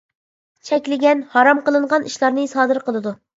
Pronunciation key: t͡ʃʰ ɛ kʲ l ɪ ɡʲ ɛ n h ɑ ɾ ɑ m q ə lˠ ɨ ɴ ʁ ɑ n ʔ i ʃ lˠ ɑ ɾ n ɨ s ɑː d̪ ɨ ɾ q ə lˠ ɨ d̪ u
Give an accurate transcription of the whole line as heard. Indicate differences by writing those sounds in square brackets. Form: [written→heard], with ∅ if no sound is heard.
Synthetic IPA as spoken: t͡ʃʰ ɛ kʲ l ɪ ɡʲ ɛ n h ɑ ɾ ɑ m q ə lˠ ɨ ɴ ʁ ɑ n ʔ i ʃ lˠ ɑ ɾ n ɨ s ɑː d̪ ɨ ɾ q ə lˠ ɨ d̪ u